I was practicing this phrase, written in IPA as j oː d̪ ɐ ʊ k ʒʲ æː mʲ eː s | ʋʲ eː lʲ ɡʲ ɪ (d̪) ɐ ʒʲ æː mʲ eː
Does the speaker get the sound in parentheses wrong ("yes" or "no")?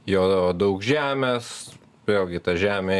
yes